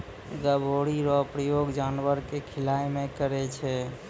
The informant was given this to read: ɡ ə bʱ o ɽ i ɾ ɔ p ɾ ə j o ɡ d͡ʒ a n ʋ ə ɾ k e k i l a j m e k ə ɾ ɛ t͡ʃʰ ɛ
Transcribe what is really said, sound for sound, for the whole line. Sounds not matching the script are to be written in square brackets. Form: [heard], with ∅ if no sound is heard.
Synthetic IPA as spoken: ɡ ə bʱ o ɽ i ɾ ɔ p ɾ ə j o ɡ d͡ʒ a n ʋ ə ɾ k e [kʰ] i l a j m e k ə ɾ ɛ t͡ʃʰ ɛ